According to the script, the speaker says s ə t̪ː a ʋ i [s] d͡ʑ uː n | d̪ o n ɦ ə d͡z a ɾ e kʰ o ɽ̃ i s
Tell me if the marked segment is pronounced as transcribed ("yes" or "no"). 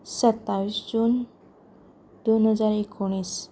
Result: yes